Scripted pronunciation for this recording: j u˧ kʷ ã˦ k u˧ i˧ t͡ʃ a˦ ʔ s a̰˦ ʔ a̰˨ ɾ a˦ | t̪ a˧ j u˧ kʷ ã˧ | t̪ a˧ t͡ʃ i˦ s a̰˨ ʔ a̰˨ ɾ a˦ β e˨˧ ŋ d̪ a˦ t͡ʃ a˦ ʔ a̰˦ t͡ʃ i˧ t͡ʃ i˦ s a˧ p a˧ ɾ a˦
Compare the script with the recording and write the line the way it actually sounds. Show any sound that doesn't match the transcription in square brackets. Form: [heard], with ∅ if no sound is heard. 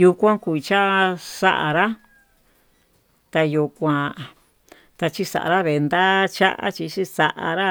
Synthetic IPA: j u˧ kʷ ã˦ k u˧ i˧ t͡ʃ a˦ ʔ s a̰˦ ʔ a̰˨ ɾ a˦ | t̪ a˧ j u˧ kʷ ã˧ | t̪ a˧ t͡ʃ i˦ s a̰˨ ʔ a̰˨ ɾ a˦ β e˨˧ [n] d̪ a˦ t͡ʃ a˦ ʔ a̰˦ t͡ʃ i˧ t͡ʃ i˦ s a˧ [ʔ] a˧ ɾ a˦